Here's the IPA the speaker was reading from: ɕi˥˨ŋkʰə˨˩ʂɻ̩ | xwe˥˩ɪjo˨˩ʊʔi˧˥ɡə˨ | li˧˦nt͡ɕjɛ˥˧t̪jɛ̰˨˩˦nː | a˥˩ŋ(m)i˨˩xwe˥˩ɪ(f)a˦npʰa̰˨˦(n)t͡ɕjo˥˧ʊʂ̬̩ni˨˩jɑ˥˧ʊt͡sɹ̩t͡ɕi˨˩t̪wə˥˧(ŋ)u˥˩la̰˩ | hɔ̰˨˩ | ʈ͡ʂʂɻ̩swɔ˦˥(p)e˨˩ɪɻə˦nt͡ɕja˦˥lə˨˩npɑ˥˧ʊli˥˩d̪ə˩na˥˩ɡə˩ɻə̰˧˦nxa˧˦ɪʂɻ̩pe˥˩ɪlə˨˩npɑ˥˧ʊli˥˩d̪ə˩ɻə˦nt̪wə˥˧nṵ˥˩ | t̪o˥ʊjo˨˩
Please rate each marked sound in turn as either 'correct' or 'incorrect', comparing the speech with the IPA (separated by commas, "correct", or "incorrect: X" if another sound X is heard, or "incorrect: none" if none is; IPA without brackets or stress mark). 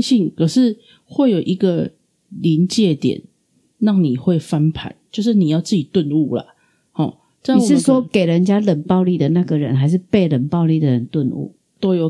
incorrect: n, correct, correct, incorrect: n, incorrect: k